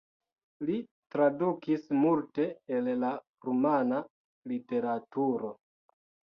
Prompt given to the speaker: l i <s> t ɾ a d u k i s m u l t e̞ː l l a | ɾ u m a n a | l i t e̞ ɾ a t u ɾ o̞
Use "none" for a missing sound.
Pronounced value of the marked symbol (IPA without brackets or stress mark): none